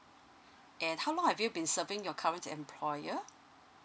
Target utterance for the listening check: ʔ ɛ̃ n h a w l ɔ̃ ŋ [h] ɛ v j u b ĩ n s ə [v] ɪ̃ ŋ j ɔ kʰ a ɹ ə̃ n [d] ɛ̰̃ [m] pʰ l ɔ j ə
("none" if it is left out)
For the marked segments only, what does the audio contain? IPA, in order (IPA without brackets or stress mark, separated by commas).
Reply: h, v, t, m